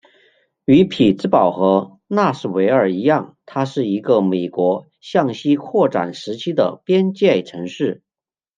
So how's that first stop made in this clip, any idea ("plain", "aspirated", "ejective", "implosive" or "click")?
aspirated